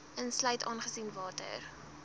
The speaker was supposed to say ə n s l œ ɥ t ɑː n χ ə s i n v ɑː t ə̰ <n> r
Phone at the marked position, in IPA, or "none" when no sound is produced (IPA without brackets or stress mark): none